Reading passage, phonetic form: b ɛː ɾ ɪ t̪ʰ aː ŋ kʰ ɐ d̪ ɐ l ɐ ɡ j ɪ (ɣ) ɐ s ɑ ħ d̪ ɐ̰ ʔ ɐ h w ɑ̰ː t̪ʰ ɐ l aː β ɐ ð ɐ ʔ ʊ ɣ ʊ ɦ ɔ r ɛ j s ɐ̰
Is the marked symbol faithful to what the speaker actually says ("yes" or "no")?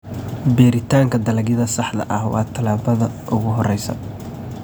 no